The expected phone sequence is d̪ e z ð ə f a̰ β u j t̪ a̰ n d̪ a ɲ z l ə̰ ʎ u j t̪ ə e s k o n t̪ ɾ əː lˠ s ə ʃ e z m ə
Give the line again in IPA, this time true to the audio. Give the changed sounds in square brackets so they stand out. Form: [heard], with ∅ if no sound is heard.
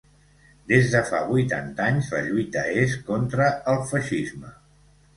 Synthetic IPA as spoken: d̪ e z ð ə f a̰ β u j t̪ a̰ n [t̪] a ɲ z l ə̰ ʎ u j t̪ ə e s k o n t̪ ɾ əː lˠ [f] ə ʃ [i] z m ə